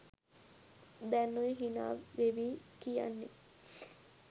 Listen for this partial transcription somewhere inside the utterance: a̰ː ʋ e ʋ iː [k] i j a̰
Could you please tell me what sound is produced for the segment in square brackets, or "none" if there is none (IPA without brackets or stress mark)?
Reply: k